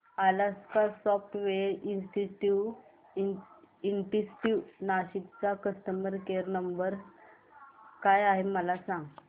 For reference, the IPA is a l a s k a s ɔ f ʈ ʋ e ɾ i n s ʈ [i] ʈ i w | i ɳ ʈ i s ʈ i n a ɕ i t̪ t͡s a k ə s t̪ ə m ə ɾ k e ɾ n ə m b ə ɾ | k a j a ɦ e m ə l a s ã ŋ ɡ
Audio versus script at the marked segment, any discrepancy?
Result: no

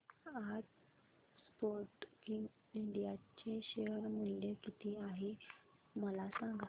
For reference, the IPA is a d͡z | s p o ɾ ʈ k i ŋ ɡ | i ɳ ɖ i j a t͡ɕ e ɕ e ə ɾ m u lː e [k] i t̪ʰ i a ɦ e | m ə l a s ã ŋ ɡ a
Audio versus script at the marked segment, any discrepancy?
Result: no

